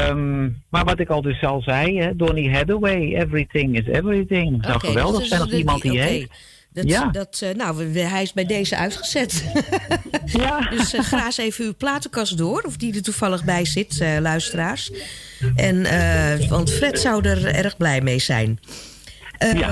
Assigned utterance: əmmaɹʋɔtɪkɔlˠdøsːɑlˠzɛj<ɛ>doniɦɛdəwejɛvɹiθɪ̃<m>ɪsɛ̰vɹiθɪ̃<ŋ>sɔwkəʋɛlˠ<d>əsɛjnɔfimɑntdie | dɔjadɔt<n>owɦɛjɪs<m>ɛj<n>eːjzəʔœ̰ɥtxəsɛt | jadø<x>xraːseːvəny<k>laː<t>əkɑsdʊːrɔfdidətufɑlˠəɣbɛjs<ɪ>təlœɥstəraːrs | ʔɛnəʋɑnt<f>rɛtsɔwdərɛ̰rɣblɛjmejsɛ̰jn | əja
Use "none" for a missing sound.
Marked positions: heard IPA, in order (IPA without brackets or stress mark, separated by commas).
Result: ɛ, ŋ, ŋ, d, n, b, d, s, p, t, ɪ, f